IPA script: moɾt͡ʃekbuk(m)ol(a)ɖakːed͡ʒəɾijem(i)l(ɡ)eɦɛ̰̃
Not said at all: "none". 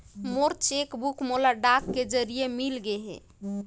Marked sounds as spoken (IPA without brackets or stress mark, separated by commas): m, a, i, ɡ